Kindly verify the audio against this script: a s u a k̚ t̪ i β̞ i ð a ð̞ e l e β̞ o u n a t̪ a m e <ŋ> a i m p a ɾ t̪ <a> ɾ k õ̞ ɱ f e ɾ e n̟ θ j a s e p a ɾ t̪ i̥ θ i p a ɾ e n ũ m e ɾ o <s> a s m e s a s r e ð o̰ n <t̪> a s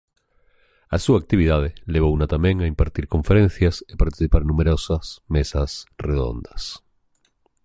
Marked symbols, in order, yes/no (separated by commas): yes, no, yes, no